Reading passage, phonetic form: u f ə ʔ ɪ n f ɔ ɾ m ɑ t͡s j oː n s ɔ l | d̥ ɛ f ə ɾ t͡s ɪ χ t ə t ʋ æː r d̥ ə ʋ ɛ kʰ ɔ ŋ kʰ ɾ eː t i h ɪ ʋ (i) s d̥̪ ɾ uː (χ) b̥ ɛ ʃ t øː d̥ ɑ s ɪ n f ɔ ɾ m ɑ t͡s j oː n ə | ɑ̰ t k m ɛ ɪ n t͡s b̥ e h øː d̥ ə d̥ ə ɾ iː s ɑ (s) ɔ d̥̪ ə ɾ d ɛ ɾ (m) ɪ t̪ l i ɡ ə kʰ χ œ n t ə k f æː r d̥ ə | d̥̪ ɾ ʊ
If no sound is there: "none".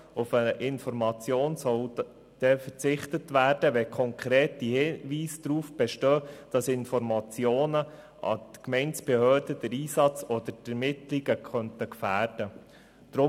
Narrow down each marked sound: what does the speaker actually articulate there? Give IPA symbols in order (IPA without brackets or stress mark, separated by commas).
iː, f, t͡s, m